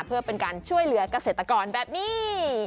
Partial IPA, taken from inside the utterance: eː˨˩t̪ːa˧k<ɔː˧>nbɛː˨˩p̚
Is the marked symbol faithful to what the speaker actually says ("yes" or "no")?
yes